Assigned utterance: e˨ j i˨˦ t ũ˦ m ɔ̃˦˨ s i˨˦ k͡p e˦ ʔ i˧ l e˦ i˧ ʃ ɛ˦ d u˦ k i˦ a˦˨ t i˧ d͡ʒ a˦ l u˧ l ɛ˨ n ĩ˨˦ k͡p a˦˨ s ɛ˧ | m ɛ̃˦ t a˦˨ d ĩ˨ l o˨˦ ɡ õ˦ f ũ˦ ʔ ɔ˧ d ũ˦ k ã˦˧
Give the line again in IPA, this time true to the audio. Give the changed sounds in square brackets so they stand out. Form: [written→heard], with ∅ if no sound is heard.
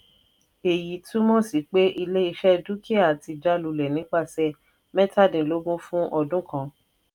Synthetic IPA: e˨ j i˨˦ t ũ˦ m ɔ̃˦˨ s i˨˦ k͡p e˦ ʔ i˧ l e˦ i˧ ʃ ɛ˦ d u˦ k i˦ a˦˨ t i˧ d͡ʒ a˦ l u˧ l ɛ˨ n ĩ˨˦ k͡p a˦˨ s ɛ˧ | m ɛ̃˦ t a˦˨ d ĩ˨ l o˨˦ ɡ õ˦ f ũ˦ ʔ ɔ˧ d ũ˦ k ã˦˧

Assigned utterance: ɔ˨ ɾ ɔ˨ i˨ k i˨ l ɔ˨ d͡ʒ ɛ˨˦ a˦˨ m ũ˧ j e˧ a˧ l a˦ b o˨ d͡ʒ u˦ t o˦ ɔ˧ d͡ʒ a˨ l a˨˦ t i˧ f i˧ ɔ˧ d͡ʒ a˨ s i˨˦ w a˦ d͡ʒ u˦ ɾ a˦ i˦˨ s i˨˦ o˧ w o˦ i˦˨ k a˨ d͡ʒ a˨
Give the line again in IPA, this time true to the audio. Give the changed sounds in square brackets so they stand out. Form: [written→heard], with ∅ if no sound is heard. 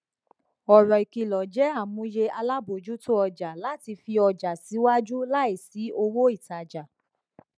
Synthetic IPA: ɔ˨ ɾ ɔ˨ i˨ k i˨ l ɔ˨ d͡ʒ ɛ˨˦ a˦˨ m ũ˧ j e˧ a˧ l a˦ b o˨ d͡ʒ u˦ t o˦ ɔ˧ d͡ʒ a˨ l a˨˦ t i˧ f i˧ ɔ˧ d͡ʒ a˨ s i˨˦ w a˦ d͡ʒ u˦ [ɾ→l] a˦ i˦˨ s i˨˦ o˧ w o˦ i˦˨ [k→t] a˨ d͡ʒ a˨

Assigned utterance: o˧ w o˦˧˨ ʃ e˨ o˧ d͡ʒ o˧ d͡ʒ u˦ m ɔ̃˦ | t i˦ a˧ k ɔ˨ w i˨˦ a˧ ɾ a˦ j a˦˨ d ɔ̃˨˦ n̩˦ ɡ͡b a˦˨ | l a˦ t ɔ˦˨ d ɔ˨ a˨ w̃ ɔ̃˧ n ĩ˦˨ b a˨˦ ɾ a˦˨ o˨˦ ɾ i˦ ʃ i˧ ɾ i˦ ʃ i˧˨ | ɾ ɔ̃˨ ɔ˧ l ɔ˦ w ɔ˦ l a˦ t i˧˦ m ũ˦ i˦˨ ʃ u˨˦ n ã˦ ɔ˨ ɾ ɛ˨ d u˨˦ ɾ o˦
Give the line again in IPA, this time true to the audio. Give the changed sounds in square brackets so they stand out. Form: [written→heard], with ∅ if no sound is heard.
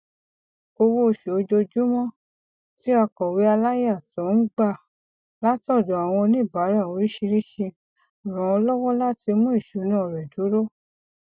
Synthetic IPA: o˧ w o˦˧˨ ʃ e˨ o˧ d͡ʒ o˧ d͡ʒ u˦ m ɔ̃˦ | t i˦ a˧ k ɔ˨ w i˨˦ a˧ [ɾ→l] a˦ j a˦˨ [d→t] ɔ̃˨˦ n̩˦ ɡ͡b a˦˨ | l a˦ t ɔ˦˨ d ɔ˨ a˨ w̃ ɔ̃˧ n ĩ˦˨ b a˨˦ ɾ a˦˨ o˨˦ ɾ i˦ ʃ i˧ ɾ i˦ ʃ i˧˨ | ɾ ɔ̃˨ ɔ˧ l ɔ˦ w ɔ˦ l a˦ t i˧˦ m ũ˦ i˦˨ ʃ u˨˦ n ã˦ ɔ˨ ɾ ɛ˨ d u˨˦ ɾ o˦

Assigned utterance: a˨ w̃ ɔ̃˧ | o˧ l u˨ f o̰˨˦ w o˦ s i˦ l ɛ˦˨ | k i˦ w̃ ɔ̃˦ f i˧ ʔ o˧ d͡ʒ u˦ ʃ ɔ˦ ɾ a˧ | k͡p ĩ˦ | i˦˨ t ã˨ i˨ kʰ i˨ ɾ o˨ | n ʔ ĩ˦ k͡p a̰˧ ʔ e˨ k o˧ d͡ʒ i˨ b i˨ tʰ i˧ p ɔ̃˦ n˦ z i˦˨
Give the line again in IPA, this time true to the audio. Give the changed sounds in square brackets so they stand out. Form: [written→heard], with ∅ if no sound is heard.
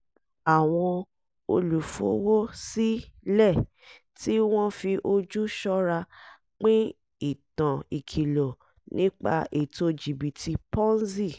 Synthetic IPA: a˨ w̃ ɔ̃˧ | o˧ l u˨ f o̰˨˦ w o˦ s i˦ l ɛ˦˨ | [k→t] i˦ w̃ ɔ̃˦ f i˧ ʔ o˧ d͡ʒ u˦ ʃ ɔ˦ ɾ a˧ | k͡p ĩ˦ | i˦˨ t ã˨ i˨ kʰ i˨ [ɾ→l] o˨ | n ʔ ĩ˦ k͡p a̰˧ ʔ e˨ [k→t] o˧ d͡ʒ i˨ b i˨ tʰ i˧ p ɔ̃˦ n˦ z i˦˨

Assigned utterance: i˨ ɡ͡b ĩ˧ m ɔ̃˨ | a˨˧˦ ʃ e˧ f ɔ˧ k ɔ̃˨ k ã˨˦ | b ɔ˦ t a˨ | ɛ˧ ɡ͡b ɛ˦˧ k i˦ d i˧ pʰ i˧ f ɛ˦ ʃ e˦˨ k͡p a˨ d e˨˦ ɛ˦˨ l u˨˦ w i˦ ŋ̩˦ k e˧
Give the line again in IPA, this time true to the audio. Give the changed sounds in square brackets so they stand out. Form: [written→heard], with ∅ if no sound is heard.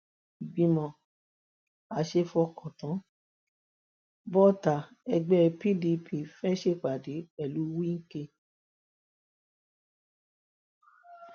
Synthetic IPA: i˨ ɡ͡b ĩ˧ m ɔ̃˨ | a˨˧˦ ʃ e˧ f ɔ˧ k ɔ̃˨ [k→t] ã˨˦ | b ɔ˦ t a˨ | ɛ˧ ɡ͡b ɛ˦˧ [k→p] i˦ d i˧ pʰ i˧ f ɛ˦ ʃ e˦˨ k͡p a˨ d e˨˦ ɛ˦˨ l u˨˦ w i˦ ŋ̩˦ k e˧

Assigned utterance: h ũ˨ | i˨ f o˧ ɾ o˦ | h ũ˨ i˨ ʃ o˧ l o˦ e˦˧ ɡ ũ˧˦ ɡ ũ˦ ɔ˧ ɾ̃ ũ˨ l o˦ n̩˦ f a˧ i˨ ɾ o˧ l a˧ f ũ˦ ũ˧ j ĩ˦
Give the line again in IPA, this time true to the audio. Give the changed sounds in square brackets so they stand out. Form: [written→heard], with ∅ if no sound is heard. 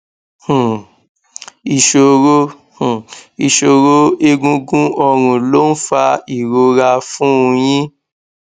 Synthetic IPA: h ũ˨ | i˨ [f→ʃ] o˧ ɾ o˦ | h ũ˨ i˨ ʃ o˧ [l→ɾ] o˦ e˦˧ ɡ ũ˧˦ ɡ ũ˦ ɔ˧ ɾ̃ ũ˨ l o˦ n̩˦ f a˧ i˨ ɾ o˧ [l→ɾ] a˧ f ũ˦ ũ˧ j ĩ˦

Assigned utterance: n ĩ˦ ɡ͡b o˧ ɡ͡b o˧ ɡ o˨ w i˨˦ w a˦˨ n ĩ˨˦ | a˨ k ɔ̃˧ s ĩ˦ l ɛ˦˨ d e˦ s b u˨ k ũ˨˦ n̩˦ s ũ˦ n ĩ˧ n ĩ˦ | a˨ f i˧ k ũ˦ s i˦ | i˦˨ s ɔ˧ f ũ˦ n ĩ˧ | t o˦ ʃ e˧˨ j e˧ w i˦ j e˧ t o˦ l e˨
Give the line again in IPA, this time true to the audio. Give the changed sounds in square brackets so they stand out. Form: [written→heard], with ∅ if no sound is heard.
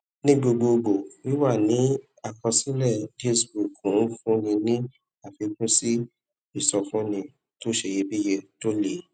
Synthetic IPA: n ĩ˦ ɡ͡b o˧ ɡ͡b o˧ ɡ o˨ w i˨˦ w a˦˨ n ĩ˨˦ | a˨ k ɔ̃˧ s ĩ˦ l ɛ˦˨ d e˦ s b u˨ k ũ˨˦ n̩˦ [s→f] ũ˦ n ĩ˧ n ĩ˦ | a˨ f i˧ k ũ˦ s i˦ | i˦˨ s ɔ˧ f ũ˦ n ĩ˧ | t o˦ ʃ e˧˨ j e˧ [w→b] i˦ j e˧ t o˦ l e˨

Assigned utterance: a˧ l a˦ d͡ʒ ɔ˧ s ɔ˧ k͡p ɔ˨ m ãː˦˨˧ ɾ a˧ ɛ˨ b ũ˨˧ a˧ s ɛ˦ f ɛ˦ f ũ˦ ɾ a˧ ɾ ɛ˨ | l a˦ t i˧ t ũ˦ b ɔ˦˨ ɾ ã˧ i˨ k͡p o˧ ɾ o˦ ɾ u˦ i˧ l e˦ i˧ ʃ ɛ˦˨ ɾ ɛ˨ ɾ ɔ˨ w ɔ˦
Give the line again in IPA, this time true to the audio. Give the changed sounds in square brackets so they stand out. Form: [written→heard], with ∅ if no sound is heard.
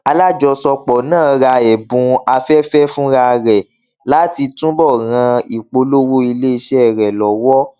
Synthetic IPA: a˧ l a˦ d͡ʒ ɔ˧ s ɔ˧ k͡p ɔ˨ [m→n] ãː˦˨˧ ɾ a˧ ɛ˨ b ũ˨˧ a˧ [s→f] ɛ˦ f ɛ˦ f ũ˦ ɾ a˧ ɾ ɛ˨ | l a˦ t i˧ t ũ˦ b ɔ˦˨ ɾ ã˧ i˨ k͡p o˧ [ɾ→l] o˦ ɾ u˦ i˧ l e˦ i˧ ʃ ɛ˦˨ ɾ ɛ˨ [ɾ→l] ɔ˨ w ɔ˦

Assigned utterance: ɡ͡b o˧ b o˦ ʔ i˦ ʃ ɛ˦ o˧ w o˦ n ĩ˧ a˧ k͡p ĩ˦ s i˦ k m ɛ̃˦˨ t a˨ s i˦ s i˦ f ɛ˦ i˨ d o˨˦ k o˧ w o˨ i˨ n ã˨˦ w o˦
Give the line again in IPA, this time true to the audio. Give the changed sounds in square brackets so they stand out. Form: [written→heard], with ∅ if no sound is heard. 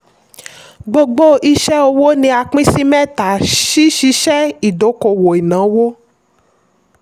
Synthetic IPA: ɡ͡b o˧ [b→ɡ͡b] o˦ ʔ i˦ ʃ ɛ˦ o˧ w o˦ n ĩ˧ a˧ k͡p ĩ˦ s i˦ [k→∅] m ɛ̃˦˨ t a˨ [s→ʃ] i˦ [s→ʃ] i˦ [f→ʃ] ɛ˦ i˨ d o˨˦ k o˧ w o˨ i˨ n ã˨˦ w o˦

